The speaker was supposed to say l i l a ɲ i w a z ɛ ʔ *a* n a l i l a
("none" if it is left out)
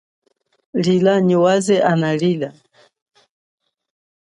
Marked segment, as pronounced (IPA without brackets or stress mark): a